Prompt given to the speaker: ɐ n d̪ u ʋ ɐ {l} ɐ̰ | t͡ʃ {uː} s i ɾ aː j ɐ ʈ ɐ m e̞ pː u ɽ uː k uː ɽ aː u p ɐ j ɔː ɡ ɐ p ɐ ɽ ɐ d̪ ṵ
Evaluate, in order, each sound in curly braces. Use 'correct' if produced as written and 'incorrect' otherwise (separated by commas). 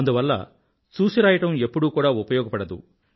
incorrect, correct